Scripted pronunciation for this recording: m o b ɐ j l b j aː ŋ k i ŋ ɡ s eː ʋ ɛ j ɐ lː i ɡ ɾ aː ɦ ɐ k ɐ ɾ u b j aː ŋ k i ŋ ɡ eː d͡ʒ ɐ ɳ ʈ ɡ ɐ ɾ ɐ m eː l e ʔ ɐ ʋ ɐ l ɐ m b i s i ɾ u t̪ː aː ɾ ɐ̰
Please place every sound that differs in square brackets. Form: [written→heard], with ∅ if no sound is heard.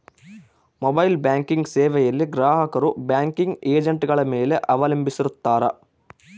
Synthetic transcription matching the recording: m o b ɐ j l b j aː ŋ k i ŋ ɡ s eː ʋ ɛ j ɐ lː i ɡ ɾ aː ɦ ɐ k ɐ ɾ u b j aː ŋ k i ŋ ɡ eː d͡ʒ ɐ ɳ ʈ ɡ ɐ [ɾ→ɭ] ɐ m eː l e ʔ ɐ ʋ ɐ l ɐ m b i s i ɾ u t̪ː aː ɾ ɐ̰